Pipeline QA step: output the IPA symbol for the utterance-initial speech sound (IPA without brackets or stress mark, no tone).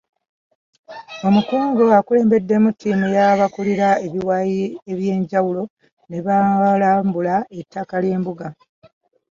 o̞